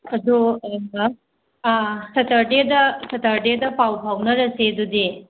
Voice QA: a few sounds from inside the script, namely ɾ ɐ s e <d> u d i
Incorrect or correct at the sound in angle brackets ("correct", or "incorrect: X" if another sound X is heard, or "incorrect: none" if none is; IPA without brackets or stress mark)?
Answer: correct